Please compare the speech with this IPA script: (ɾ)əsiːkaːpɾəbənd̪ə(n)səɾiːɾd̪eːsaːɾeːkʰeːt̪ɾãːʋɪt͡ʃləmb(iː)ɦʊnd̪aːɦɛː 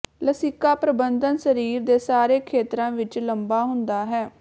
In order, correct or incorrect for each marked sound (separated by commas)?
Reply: incorrect, correct, incorrect